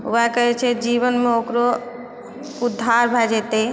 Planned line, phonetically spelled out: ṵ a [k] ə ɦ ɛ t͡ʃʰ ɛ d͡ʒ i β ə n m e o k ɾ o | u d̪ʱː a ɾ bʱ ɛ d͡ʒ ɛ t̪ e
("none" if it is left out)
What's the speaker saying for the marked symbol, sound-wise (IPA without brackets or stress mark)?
k